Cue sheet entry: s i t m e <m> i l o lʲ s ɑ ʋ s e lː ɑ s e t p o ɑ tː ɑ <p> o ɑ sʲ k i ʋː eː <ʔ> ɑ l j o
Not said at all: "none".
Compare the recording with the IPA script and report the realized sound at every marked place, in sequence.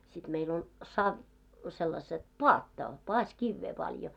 none, p, p

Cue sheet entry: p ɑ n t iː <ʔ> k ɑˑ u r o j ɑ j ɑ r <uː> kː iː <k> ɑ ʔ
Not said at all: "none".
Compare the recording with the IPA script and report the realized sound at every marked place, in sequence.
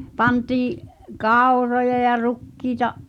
ʔ, u, t

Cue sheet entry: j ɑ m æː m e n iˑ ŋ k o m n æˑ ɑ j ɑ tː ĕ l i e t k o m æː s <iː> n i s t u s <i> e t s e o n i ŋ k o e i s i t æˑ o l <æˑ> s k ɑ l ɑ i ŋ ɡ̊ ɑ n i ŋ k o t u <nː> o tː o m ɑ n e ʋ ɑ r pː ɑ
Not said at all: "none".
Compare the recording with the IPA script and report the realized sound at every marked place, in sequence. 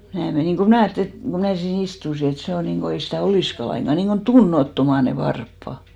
iː, i, iˑ, nː

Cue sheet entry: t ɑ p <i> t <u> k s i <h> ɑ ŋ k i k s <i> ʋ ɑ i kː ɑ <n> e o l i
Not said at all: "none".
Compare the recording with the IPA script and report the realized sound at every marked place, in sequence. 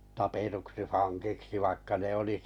e, u, f, i, n

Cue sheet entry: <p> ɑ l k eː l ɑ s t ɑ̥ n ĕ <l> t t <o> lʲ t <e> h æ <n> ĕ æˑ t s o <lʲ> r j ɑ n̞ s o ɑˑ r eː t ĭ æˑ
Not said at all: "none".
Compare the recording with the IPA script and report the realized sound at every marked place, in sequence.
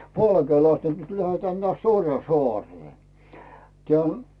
p, none, u, æ, n, none

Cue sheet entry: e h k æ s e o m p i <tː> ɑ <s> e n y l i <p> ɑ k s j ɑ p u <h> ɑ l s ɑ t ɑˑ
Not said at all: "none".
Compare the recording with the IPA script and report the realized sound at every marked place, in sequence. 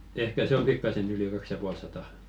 kː, s, k, none

